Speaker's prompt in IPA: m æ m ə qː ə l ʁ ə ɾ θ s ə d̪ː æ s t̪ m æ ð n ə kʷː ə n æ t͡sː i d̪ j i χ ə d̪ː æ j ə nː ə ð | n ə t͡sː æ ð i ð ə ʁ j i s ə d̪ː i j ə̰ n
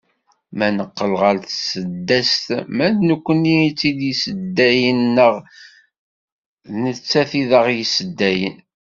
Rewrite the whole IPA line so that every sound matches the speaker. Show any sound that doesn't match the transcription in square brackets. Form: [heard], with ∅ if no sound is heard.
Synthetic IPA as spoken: m æ [n] ə qː ə l ʁ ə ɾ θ s ə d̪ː æ s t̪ m æ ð n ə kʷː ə n [i] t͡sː i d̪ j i [s] ə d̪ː æ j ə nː ə [ʁ] | n ə t͡sː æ [θ] i ð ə ʁ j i s ə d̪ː [æ] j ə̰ n